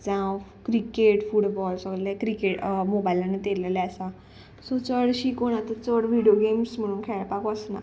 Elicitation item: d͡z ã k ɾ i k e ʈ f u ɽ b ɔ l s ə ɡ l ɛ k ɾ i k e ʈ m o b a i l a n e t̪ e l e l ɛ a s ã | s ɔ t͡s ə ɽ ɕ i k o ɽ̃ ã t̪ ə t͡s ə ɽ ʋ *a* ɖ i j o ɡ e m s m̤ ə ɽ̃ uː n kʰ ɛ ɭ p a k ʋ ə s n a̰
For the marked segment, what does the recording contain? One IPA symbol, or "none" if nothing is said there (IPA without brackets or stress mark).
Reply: i